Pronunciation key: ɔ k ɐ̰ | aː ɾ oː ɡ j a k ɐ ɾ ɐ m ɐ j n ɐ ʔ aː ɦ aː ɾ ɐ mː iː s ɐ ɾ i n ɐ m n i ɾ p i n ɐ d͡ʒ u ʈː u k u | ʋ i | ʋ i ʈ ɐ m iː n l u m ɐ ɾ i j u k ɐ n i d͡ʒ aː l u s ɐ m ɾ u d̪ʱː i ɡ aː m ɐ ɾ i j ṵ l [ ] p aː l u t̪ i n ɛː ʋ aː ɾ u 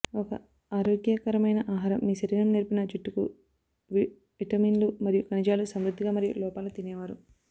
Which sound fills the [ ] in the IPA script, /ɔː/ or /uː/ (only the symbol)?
ɔː